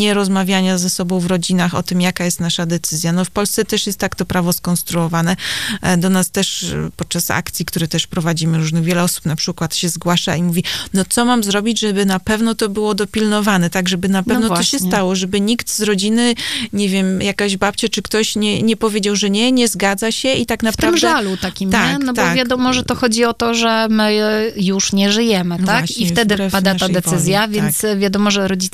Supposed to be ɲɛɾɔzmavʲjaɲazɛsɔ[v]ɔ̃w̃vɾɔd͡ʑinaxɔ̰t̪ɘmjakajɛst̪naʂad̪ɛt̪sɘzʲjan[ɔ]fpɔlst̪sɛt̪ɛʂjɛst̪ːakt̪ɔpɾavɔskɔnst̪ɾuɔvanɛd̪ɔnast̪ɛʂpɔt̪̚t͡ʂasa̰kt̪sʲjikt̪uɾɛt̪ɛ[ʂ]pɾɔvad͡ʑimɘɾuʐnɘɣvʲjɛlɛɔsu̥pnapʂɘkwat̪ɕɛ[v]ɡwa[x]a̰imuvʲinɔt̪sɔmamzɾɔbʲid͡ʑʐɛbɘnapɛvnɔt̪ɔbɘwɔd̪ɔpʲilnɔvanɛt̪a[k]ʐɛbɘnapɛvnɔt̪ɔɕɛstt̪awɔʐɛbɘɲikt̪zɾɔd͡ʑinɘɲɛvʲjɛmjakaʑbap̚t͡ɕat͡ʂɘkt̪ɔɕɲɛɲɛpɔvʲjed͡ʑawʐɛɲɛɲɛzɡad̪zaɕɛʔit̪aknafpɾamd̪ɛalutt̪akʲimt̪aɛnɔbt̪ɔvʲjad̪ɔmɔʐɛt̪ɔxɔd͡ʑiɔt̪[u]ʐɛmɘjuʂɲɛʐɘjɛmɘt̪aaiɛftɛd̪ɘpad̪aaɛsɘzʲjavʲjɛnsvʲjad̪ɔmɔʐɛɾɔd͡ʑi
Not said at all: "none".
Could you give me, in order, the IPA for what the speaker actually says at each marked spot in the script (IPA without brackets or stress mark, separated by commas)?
b, ɔ, ʂ, z, ʂ, ɡ, ɔ